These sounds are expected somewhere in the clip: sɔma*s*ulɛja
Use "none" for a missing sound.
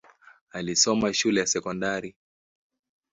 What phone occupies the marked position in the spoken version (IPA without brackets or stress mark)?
ʃ